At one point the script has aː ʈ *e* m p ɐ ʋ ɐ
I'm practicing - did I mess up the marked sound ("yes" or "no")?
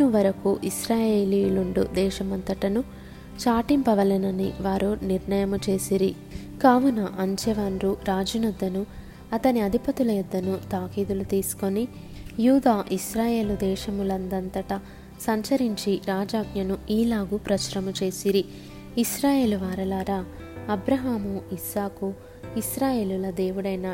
yes